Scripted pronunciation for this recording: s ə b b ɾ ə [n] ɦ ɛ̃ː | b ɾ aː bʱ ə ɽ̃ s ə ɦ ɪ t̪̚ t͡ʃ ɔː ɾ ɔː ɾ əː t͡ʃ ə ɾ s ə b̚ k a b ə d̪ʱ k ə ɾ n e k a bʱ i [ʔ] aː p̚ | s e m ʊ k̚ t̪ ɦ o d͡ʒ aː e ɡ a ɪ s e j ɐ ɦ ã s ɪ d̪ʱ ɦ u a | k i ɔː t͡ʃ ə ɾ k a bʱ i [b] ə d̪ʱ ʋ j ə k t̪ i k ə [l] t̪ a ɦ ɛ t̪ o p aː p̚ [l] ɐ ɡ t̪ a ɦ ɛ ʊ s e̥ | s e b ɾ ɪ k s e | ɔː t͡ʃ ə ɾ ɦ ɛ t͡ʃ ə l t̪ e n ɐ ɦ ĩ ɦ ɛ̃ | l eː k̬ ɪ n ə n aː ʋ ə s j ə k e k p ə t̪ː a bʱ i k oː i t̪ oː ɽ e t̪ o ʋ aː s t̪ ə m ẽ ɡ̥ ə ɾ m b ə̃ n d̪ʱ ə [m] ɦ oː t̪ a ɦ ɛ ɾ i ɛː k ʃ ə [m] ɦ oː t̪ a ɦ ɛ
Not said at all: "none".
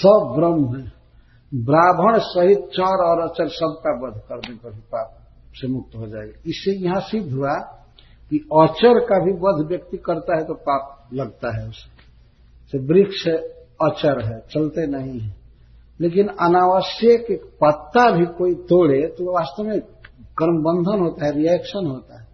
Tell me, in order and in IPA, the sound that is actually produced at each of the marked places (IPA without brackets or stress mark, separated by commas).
m, p, b, ɾ, l, n, n